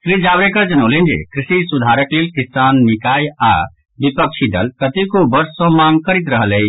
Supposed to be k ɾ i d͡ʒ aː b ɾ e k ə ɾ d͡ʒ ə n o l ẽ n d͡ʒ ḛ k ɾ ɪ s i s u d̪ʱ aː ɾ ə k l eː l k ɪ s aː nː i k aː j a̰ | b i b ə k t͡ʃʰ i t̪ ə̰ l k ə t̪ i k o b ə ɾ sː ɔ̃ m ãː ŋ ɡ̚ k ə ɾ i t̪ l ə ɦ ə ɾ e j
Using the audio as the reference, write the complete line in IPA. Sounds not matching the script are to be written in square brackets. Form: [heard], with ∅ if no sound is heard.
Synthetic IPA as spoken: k ɾ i d͡ʒ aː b ɾ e k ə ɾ d͡ʒ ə n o l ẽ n d͡ʒ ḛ k ɾ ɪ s i s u d̪ʱ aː ɾ ə k l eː l k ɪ s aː nː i k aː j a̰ | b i [p] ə k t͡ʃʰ i [d̪] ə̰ l k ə t̪ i k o b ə ɾ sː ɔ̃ m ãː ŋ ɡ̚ k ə ɾ i t̪ [ɾ] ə ɦ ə [l] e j